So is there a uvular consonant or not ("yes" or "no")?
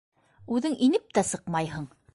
yes